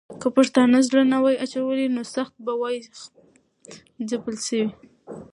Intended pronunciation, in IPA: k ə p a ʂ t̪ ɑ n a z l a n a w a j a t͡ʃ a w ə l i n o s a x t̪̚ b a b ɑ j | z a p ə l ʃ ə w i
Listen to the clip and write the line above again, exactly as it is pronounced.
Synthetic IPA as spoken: k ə p a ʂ t̪ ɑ n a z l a n a w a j a t͡ʃ a w ə l i n o s a x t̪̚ b a w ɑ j | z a p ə l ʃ ə w i

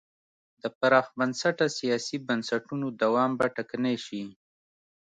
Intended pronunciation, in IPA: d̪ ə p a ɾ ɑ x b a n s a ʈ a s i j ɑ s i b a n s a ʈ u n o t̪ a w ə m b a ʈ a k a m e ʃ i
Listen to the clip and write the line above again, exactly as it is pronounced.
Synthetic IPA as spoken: d̪ ə p a ɾ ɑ x b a n s a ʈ a s i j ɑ s i b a n s a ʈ u n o d̪ a w ɑ m b a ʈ a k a n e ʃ i

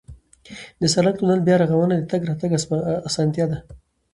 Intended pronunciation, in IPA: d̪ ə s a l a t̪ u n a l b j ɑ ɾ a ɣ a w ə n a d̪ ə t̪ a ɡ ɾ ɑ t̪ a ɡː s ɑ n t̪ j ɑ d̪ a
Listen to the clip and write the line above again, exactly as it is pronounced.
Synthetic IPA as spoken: d̪ ə s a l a t̪ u n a l b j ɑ ɾ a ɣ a w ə n a d̪ ə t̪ a ɡ ɾ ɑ t̪ a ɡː s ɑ n t̪ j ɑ d̪ a

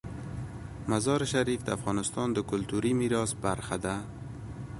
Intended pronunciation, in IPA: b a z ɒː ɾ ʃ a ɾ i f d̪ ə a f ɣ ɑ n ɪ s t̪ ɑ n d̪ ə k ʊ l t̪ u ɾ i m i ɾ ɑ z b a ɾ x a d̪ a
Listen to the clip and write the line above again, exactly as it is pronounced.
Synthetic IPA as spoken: m a z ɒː ɾ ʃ a ɾ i f d̪ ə a f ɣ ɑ n ɪ s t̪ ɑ n d̪ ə k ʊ l t̪ u ɾ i m i ɾ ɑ s b a ɾ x a d̪ a

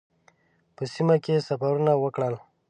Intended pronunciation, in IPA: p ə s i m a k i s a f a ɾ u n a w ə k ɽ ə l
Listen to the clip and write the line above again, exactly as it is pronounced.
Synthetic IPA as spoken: p ə s i m a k e s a f a ɾ u n a w ə k ɽ ə l

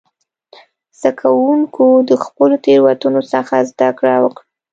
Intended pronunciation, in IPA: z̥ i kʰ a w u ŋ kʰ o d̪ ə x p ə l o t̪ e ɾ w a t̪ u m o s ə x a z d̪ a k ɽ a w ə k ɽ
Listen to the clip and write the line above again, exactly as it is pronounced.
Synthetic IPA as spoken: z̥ a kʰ a w u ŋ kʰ o d̪ ə x p ə l o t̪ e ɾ w a t̪ u n o s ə x a z d̪ a k ɽ a w ə k ɽ

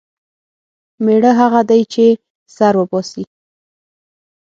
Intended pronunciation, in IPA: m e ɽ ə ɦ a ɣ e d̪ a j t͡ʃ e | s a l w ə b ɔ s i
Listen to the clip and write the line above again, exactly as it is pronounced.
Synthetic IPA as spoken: m e ɽ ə ɦ a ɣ a d̪ a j t͡ʃ e | s a ɾ w ə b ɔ s i

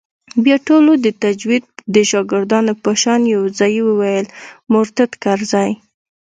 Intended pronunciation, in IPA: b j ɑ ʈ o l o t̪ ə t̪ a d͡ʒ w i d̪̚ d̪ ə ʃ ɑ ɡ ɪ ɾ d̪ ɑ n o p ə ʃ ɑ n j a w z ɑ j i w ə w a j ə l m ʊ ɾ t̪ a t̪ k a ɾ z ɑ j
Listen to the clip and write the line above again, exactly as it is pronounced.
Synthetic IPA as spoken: b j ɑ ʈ o l o d̪ ə t̪ a d͡ʒ w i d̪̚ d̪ ə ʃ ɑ ɡ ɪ ɾ d̪ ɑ n o p ə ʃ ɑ n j a w z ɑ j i w ə w a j ə l m ʊ ɾ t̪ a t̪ k a ɾ z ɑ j

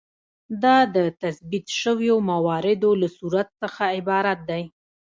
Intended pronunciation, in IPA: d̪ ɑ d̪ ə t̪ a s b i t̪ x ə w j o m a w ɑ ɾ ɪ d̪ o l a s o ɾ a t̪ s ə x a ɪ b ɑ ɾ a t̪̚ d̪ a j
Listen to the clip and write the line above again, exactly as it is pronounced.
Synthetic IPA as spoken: d̪ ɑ d̪ ə t̪ a s b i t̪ ʃ ə w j o m a w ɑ ɾ ɪ d̪ o l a s u ɾ a t̪ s ə x a ɪ b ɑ ɾ a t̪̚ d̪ a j

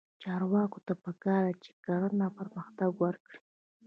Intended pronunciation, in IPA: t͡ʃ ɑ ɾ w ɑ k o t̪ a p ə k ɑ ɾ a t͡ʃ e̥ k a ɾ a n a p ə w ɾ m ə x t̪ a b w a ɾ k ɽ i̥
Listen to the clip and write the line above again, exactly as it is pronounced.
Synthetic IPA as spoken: t͡ʃ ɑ ɾ w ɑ k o t̪ a p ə k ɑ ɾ a t͡ʃ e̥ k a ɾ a n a p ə ɾ m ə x t̪ a ɡ w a ɾ k ɽ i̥

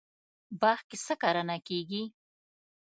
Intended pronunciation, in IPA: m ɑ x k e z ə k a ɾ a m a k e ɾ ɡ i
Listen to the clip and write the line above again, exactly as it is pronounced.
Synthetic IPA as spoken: b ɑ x k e s ə k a ɾ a n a k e ɡ i

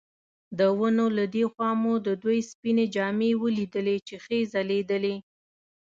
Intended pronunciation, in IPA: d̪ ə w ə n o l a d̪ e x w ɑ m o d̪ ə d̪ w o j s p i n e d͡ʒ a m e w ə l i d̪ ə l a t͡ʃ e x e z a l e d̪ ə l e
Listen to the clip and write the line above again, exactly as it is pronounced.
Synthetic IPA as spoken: d̪ ə w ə n o l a d̪ e x w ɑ m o d̪ ə d̪ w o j s p i n e d͡ʒ ɑ m e w ə l i d̪ ə l e t͡ʃ e x e z a l e d̪ ə l e

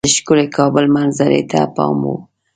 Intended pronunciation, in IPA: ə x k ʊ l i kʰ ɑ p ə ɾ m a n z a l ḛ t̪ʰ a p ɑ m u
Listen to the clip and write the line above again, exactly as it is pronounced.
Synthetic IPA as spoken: ə ʃ k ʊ l e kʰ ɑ b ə l m a n z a ɾ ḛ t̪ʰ a p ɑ m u

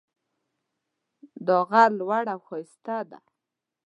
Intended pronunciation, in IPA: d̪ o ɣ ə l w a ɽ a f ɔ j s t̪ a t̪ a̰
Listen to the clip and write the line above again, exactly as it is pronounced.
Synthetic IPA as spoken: d̪ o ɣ a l w a ɽ a x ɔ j s t̪ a d̪ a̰

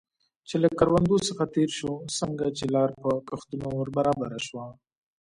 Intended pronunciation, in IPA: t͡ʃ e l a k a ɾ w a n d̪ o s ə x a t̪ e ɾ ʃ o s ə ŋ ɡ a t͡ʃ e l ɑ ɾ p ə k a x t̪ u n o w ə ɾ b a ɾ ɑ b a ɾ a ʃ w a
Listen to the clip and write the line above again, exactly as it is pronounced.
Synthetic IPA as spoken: t͡ʃ e l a k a ɾ w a n d̪ o s ə x a t̪ e ɾ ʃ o s ə ŋ ɡ a t͡ʃ e l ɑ ɾ p ə k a x t̪ u n o w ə ɾ b a ɾ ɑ b a ɾ a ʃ w a

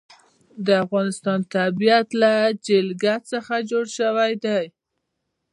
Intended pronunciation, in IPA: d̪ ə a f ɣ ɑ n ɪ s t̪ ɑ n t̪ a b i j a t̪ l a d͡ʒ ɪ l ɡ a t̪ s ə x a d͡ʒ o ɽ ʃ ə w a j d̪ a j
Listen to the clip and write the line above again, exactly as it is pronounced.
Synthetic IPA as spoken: d̪ ə a f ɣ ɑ n ɪ s t̪ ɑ n t̪ a b i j a t̪ l a d͡ʒ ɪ l ɡ a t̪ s ə x a d͡ʒ o ɽ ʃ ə w a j d̪ a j

